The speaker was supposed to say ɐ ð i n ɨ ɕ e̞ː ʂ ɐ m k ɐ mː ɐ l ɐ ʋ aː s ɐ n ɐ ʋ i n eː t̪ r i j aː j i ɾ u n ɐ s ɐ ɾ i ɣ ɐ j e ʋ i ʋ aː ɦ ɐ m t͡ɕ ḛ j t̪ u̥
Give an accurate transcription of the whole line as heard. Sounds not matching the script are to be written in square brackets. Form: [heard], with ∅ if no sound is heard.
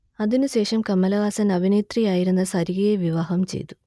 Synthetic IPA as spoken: ɐ ð i n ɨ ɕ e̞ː ʂ ɐ m k ɐ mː ɐ l ɐ ʋ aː s ɐ n ɐ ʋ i n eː t̪ r i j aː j i ɾ u [nː] ɐ s ɐ ɾ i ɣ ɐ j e ʋ i ʋ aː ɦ ɐ m t͡ɕ ḛ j t̪ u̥